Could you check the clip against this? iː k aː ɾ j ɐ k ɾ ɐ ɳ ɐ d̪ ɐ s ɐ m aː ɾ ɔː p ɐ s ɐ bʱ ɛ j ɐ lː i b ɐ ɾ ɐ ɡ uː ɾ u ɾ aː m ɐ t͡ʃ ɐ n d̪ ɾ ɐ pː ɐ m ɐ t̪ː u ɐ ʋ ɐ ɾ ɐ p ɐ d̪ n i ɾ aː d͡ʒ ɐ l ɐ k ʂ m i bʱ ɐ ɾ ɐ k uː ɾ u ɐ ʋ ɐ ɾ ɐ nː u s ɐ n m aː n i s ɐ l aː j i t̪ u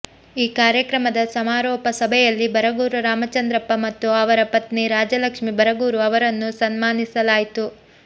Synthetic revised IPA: iː k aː ɾ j ɐ k ɾ ɐ m ɐ d̪ ɐ s ɐ m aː ɾ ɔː p ɐ s ɐ bʱ ɛ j ɐ lː i b ɐ ɾ ɐ ɡ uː ɾ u ɾ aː m ɐ t͡ʃ ɐ n d̪ ɾ ɐ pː ɐ m ɐ t̪ː u ɐ ʋ ɐ ɾ ɐ p ɐ t̪ n i ɾ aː d͡ʒ ɐ l ɐ k ʂ m i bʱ ɐ ɾ ɐ ɡ uː ɾ u ɐ ʋ ɐ ɾ ɐ nː u s ɐ n m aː n i s ɐ l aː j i t̪ u